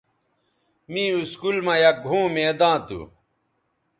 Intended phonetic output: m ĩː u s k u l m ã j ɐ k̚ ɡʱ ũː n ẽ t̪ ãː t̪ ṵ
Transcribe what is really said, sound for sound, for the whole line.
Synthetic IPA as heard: m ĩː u s k u l m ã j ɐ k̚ ɡʱ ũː m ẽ d̪ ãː t̪ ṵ